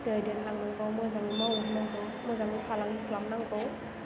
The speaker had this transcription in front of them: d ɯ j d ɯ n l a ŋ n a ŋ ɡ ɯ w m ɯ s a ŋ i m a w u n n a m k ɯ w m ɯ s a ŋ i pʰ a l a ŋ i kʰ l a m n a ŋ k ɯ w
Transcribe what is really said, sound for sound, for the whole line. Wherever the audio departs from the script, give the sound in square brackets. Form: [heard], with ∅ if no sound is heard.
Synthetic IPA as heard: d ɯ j d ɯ n l a ŋ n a ŋ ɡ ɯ w m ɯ [z] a ŋ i m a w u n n a [ŋ] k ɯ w m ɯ [z] a ŋ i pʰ a l a ŋ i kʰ l a m n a ŋ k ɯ w